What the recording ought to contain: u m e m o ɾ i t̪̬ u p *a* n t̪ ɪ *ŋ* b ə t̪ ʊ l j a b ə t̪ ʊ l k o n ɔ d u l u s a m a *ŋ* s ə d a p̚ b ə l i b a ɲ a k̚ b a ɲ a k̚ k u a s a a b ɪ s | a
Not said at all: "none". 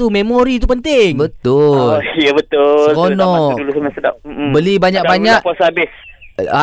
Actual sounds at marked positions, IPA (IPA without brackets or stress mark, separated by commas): ə, ŋ, none